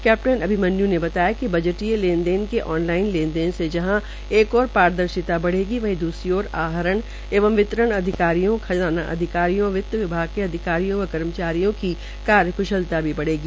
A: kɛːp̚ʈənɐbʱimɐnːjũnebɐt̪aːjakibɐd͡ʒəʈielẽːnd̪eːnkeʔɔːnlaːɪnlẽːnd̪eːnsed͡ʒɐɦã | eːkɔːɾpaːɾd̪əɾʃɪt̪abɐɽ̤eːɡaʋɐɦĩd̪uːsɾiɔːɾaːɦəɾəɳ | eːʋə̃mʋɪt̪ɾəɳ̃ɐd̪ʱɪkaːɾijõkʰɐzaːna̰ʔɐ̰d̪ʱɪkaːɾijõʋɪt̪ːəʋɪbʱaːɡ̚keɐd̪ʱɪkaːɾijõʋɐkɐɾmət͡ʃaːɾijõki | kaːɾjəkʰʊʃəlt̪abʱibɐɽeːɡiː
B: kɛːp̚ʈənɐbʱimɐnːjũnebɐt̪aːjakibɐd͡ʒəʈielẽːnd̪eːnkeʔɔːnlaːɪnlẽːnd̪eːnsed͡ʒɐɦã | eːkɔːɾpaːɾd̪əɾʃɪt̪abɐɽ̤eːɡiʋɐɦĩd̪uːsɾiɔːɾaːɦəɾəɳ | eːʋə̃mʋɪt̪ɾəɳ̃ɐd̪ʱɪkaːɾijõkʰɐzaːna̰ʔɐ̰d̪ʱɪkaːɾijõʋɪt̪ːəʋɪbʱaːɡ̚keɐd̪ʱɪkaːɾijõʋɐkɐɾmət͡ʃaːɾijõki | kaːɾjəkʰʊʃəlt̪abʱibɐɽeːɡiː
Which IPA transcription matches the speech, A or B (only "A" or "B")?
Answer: B